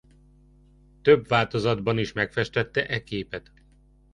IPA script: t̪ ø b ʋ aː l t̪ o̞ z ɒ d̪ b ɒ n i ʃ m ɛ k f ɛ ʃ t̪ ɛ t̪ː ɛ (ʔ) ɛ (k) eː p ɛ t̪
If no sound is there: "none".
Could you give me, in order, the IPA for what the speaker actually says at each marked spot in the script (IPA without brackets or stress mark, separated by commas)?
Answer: ʔ, k